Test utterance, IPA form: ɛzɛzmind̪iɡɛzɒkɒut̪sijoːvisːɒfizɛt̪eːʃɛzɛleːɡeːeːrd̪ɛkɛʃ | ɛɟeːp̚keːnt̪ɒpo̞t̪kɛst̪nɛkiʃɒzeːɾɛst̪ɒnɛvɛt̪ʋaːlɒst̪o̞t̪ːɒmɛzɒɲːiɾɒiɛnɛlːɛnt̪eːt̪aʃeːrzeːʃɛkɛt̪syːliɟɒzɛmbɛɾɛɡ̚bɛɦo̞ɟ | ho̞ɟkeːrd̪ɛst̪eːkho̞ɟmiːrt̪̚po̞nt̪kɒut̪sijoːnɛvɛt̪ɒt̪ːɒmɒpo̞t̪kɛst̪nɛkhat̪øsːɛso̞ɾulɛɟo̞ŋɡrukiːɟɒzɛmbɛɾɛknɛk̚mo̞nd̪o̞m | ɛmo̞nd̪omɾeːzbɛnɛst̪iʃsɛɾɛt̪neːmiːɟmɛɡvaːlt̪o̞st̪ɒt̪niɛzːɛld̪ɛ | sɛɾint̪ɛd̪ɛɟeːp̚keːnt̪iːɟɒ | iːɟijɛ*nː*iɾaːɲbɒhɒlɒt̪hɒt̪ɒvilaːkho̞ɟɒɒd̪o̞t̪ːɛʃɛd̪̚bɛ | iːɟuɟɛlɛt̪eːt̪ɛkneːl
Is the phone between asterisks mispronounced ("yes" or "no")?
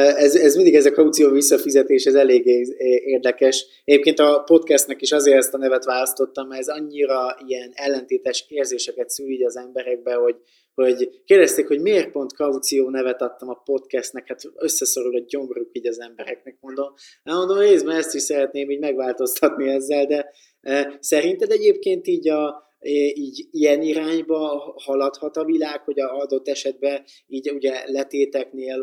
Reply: yes